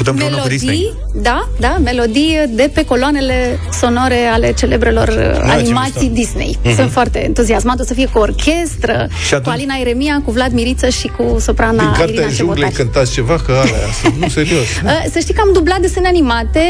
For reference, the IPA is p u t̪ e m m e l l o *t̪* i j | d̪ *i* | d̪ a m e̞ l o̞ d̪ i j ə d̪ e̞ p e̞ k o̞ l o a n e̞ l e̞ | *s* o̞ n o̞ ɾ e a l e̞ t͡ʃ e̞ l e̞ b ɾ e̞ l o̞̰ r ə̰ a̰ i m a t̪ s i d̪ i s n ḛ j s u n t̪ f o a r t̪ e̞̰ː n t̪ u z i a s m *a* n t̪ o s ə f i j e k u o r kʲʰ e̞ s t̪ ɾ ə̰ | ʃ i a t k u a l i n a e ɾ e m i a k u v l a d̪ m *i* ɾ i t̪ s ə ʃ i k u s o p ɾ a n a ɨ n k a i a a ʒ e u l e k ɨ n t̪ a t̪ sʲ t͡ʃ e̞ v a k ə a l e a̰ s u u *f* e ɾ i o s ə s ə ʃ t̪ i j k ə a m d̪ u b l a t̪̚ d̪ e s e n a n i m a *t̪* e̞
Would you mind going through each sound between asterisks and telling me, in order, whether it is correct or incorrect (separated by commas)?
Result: incorrect, incorrect, correct, correct, correct, incorrect, correct